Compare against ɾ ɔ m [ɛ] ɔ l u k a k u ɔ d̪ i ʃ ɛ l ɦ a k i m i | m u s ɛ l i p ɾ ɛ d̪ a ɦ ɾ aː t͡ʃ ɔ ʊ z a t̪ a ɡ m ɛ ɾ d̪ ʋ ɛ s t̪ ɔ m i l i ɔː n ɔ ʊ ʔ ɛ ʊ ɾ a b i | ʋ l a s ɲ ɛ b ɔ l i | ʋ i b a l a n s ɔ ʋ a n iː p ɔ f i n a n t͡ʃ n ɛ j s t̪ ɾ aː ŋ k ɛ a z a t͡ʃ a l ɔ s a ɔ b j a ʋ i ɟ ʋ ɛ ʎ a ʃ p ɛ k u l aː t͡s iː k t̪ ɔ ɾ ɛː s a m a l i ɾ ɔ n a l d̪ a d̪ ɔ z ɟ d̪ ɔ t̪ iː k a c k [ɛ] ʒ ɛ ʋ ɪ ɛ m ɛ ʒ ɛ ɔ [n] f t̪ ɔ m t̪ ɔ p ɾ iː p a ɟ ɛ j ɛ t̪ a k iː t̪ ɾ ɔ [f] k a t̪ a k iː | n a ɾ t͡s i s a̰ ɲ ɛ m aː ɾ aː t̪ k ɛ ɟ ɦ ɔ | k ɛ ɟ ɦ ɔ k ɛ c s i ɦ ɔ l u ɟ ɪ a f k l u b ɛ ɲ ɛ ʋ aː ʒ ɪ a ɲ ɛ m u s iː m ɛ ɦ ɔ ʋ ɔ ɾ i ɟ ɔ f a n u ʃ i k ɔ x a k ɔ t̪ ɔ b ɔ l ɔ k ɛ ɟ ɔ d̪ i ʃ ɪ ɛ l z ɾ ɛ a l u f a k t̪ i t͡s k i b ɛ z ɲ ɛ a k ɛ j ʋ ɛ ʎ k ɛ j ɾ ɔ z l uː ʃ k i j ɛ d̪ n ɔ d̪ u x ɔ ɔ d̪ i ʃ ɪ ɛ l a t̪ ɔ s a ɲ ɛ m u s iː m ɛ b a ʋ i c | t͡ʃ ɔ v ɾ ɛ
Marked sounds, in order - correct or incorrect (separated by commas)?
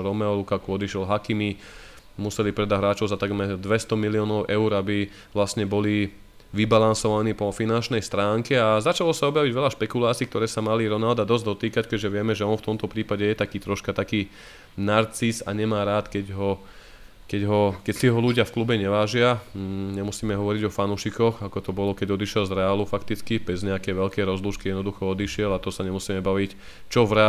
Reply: correct, correct, correct, incorrect